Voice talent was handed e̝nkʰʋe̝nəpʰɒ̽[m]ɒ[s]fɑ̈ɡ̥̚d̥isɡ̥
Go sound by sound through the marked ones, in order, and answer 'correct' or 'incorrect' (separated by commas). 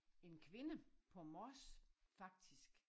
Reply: correct, correct